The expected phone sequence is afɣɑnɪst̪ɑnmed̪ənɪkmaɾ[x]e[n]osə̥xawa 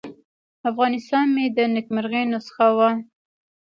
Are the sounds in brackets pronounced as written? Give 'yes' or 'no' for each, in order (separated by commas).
no, yes